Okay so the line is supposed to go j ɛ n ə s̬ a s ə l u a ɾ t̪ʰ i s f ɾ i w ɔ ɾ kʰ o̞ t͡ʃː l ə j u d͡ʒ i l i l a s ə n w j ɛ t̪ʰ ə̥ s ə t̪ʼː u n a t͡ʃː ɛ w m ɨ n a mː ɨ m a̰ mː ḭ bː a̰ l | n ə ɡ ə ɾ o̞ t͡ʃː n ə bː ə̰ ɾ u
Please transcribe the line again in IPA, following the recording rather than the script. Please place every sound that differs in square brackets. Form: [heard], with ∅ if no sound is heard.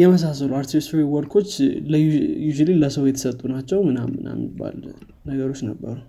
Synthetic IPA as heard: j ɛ [m] ə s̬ a s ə l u a ɾ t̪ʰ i s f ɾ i w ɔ ɾ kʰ o̞ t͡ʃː l ə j u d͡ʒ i l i l [ə] s ə [∅] w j ɛ t̪ʰ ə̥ s ə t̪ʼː u n a t͡ʃː ɛ w m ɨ n a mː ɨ [n] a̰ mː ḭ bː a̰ l | n ə ɡ ə ɾ o̞ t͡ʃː n ə bː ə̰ ɾ u